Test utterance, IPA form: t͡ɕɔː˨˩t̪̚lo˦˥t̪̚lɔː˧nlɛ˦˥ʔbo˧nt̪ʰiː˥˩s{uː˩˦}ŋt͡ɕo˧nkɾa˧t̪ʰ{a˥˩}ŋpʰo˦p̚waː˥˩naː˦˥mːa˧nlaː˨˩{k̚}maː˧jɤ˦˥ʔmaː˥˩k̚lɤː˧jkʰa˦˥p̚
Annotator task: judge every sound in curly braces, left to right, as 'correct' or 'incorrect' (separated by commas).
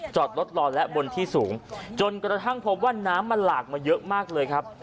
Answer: correct, correct, correct